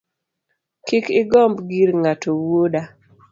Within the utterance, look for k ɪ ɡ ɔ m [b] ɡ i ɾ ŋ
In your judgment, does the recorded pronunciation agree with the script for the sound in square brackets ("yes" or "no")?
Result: yes